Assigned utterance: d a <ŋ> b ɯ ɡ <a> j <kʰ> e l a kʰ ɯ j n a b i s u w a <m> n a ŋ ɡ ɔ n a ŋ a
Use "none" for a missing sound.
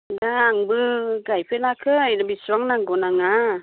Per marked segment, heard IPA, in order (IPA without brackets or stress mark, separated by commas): ŋ, a, pʰ, ŋ